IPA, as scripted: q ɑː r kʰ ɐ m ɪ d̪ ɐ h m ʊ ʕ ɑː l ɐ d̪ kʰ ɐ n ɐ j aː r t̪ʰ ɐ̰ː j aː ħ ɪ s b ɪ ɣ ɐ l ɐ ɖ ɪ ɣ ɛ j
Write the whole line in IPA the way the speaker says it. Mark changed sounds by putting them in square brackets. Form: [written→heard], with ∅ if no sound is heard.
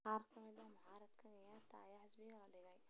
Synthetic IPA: q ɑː r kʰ ɐ m ɪ d̪ ɐ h m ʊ ʕ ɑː [l→ɾ] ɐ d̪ kʰ ɐ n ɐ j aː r t̪ʰ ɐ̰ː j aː ħ ɪ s b ɪ ɣ ɐ l ɐ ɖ ɪ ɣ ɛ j